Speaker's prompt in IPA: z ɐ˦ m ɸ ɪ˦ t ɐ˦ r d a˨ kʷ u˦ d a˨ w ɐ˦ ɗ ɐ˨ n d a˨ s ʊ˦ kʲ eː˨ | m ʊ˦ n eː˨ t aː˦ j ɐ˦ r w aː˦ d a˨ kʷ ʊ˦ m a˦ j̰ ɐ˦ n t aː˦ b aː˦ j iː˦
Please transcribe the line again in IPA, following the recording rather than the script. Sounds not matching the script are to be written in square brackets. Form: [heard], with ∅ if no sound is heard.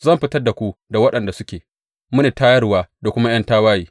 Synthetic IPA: z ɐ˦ m ɸ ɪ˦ t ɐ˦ r d a˨ kʷ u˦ d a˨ w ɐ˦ ɗ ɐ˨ n d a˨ s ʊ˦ kʲ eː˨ | m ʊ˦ n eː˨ t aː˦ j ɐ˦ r w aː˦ d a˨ kʷ ʊ˦ m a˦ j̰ ɐ˦ n t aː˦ [w] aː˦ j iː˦